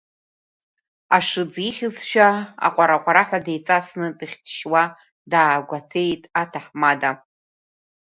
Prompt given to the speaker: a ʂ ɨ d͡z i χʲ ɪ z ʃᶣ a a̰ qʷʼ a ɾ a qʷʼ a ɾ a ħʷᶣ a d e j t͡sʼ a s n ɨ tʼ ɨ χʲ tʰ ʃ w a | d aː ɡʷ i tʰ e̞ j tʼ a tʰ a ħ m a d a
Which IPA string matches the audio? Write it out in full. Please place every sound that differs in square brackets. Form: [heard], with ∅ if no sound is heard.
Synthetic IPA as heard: a ʂ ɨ d͡z i χʲ ɪ z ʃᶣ a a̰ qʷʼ a ɾ a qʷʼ a ɾ a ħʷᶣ a d e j t͡sʼ a s n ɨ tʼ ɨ χʲ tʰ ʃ w a | d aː ɡʷ [a] tʰ e̞ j tʼ a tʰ a ħ m a d a